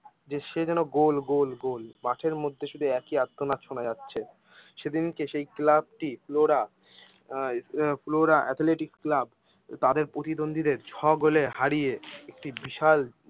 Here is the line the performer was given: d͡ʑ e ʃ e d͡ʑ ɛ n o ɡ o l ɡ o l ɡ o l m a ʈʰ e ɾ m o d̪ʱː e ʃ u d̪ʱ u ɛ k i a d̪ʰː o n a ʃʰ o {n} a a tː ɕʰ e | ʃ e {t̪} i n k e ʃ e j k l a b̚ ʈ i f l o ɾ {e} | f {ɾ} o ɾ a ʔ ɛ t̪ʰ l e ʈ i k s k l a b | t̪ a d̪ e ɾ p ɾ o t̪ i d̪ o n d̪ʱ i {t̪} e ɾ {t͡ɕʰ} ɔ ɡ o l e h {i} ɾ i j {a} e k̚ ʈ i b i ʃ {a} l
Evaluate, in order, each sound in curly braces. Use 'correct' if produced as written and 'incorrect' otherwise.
correct, incorrect, incorrect, incorrect, incorrect, correct, incorrect, incorrect, correct

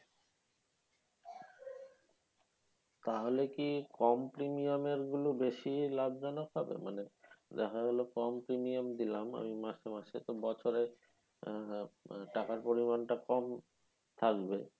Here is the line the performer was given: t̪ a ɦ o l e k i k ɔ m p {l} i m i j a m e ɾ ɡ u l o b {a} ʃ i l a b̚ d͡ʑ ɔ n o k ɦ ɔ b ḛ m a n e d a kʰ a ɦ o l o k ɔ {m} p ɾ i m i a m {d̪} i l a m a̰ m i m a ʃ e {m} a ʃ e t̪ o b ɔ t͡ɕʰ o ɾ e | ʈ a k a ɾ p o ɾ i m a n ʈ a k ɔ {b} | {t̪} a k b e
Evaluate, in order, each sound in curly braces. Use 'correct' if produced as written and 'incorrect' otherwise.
incorrect, incorrect, correct, correct, correct, incorrect, incorrect

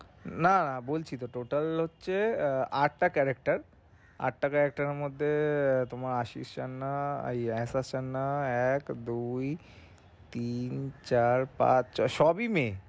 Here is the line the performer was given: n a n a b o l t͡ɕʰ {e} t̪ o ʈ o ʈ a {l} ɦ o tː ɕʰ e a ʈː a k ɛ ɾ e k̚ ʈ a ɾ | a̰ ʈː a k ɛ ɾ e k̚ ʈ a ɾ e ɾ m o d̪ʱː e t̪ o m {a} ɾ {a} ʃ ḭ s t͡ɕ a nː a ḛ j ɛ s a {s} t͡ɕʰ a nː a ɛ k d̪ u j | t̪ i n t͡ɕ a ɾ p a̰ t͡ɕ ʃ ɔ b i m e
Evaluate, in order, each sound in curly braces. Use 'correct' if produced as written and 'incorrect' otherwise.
incorrect, correct, correct, correct, correct

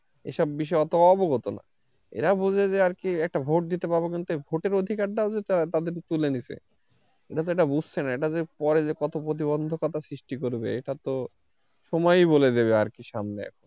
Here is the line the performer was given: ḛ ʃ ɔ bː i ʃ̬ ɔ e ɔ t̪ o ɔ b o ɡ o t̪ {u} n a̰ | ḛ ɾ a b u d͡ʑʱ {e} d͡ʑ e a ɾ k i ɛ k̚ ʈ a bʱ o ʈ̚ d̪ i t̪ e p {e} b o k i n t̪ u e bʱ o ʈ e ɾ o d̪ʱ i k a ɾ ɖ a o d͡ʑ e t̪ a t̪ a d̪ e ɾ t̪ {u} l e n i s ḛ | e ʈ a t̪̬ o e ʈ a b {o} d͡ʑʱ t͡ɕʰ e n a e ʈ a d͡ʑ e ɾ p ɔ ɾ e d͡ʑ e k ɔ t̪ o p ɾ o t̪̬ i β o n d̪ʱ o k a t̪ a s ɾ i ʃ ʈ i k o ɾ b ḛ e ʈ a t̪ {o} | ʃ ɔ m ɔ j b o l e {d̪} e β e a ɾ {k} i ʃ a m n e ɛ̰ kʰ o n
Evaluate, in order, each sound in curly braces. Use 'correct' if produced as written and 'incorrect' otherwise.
incorrect, correct, incorrect, correct, incorrect, correct, correct, correct

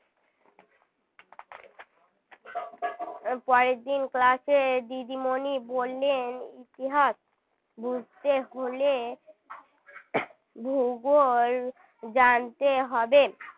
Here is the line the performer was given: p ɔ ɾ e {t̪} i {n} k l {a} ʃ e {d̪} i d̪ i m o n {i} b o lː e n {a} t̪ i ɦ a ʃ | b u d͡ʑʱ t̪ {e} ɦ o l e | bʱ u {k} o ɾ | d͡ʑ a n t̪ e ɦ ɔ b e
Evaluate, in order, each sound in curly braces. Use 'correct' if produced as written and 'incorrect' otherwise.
incorrect, correct, correct, correct, correct, incorrect, correct, incorrect

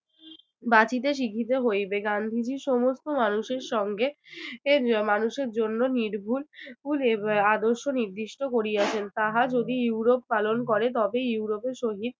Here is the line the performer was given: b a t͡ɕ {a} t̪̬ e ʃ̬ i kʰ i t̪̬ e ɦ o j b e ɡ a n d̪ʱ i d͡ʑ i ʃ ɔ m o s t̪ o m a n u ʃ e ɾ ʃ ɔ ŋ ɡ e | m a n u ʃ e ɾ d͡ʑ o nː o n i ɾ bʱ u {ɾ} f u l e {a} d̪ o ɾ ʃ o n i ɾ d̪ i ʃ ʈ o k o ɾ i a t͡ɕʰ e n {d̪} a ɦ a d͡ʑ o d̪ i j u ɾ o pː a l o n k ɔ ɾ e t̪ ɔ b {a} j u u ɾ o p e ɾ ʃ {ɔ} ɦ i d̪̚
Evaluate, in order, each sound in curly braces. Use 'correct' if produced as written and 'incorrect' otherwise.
incorrect, incorrect, correct, incorrect, incorrect, incorrect

